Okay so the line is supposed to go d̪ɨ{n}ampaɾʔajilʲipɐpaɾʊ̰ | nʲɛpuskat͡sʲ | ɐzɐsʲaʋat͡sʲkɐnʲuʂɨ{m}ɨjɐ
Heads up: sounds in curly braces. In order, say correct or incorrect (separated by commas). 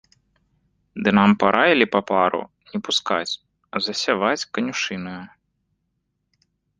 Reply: correct, incorrect